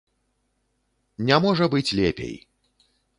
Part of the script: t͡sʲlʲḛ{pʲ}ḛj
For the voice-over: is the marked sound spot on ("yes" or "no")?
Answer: yes